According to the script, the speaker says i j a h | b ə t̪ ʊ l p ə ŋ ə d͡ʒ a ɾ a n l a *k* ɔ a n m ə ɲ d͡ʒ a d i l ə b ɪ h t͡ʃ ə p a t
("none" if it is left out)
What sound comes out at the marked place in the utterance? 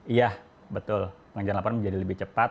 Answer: p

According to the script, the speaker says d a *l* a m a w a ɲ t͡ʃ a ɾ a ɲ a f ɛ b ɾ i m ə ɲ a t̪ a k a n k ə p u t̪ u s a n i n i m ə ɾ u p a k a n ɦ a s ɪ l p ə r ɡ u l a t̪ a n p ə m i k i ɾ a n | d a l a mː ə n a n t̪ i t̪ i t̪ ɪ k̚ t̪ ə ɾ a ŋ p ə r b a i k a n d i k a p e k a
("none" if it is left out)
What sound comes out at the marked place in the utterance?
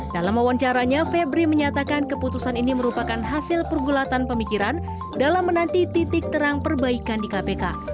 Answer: l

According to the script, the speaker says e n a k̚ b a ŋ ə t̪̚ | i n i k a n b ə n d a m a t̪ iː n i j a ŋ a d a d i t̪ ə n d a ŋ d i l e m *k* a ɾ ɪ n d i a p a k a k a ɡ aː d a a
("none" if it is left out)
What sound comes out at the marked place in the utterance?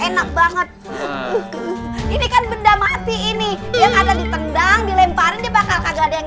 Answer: p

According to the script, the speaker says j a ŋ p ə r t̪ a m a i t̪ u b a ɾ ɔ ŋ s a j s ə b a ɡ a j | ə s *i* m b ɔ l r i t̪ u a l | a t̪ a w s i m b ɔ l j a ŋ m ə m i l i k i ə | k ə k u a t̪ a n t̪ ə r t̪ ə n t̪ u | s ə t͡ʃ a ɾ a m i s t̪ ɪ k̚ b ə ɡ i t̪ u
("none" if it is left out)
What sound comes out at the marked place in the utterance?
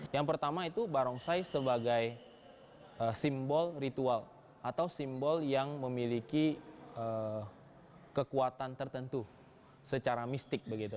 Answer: i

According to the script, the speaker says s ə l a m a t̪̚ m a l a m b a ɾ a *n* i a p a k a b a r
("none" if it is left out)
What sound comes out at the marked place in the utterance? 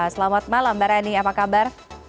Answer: n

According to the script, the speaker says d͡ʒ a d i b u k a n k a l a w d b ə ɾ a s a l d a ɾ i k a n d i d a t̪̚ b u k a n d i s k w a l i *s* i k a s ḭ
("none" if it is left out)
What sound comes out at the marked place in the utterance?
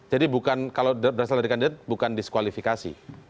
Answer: f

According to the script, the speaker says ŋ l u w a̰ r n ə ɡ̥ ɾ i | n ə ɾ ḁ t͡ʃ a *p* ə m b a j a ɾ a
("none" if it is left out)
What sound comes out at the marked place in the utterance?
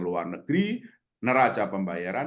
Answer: p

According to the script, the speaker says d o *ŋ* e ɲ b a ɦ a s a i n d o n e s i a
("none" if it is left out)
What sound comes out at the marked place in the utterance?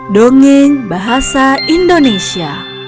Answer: ŋ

